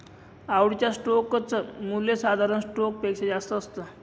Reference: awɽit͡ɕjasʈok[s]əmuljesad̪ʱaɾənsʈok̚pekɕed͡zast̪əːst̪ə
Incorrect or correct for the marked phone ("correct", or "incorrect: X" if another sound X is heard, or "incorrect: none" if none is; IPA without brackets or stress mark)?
incorrect: t͡s